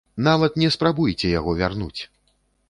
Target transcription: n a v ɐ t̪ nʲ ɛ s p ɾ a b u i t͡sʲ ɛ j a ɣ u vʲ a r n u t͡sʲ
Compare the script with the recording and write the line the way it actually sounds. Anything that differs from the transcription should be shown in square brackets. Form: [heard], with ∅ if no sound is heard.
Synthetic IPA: n a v ɐ t̪ nʲ ɛ s p ɾ a b u [j] t͡sʲ ɛ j a ɣ [ɔ] vʲ a r n u t͡sʲ